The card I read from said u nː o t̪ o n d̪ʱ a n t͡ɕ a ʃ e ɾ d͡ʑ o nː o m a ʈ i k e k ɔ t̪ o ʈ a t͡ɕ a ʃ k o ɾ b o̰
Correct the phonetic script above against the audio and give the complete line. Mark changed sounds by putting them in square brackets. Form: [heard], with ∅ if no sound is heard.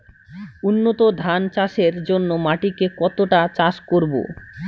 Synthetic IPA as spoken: u nː o t̪ o [∅] d̪ʱ a n t͡ɕ a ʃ e ɾ d͡ʑ o nː o m a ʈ i k e k ɔ t̪ o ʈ a t͡ɕ a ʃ k o ɾ b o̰